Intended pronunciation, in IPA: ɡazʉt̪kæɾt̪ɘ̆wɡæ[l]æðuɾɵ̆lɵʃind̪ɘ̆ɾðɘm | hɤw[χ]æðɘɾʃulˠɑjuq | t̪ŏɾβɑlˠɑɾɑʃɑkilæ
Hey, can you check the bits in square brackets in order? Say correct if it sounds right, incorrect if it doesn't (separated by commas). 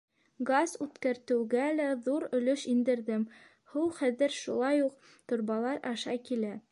correct, correct